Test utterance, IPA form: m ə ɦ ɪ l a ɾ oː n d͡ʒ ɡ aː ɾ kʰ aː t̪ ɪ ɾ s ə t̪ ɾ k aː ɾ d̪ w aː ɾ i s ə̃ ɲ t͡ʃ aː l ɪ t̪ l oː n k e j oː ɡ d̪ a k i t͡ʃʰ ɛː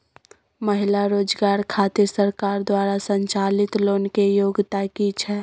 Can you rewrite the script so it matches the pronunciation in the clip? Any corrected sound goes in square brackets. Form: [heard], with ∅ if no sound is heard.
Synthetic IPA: m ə ɦ ɪ l a ɾ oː [∅] d͡ʒ ɡ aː ɾ kʰ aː t̪ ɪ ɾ s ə [∅] ɾ k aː ɾ d̪ w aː ɾ [a] s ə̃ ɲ t͡ʃ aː l ɪ t̪ l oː n k e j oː ɡ [t̪] a k i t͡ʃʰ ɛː